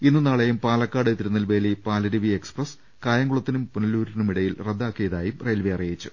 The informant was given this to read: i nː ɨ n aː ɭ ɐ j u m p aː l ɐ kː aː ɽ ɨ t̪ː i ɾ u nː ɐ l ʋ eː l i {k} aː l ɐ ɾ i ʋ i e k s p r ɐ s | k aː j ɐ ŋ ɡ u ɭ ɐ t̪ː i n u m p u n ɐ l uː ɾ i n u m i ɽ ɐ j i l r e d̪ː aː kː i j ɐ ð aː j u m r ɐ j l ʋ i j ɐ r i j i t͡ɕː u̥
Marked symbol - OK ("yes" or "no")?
no